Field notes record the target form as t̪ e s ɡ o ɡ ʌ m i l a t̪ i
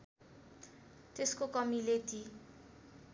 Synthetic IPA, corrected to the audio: t̪ e s k o k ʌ m i l e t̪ i